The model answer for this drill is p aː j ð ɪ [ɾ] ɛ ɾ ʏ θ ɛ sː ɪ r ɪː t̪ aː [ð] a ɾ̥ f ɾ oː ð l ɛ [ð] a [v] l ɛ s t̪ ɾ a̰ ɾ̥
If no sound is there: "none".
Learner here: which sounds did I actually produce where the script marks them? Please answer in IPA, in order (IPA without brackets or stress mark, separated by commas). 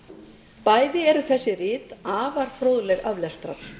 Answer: none, v, ɣ, v